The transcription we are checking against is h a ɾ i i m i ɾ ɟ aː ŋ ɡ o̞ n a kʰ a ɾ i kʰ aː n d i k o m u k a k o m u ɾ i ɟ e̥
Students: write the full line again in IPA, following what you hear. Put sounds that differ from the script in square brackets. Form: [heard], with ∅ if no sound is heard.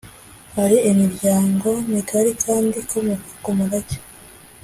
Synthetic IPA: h a ɾ i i m i ɾ ɟ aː ŋ ɡ o̞ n [i] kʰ a ɾ i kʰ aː n d i k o m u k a k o m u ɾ [a] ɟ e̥